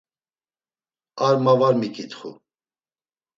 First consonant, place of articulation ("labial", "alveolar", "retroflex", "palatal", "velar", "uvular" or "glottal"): alveolar